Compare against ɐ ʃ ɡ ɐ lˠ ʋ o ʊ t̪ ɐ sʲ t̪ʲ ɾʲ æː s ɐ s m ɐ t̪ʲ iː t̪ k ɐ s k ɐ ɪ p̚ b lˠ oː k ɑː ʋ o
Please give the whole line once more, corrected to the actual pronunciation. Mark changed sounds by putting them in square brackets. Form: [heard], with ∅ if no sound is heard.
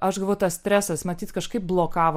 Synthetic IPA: ɐ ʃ ɡ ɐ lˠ ʋ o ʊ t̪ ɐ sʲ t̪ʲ ɾʲ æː s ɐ s m ɐ t̪ʲ iː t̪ k ɐ [ʃ] k ɐ ɪ p̚ b lˠ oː k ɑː ʋ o